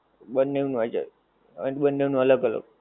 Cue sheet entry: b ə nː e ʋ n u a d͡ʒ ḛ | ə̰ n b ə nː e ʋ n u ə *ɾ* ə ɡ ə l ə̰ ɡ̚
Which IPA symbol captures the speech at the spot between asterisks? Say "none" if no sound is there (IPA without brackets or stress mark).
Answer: l